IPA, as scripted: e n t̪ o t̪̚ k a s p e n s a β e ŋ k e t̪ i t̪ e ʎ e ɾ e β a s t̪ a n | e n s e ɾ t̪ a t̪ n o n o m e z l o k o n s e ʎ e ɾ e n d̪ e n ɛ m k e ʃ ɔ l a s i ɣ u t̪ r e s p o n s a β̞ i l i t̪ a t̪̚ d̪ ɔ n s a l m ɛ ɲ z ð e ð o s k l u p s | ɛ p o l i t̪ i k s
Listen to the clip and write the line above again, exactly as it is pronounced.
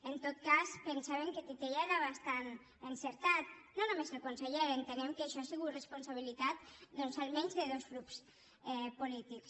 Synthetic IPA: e n t̪ o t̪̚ k a s p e n s a β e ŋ k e t̪ i t̪ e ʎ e ɾ a β a s t̪ a n | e n s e ɾ t̪ a t̪ n o n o m e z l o k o n s e ʎ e ɾ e n t̪ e n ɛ m k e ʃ ɔ a s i ɣ u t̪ r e s p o n s a β̞ i l i t̪ a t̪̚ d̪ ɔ n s a l m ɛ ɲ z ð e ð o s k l u p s | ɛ p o l i t̪ i k s